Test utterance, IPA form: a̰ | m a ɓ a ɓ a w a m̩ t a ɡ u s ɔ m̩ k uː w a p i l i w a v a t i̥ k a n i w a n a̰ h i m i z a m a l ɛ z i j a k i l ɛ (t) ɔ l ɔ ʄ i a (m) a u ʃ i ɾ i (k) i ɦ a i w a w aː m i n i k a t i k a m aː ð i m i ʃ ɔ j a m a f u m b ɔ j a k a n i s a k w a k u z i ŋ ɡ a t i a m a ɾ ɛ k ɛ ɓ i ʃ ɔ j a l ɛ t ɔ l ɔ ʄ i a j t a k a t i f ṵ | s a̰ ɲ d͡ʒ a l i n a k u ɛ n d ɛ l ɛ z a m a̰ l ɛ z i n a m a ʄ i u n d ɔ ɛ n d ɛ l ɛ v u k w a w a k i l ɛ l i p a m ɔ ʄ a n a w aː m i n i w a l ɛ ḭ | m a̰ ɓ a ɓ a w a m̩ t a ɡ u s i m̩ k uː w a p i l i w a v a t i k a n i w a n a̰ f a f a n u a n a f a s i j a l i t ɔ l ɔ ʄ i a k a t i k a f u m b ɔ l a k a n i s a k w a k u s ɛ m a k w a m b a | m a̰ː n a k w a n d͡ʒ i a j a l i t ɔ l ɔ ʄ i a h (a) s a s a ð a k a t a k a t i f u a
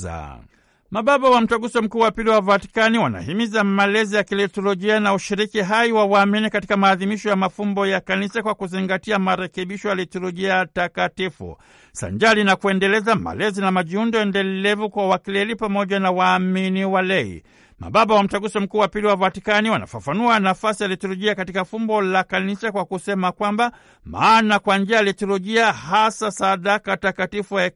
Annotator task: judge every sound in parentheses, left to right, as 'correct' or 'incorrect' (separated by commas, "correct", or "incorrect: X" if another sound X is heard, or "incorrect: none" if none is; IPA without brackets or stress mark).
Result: correct, incorrect: n, correct, correct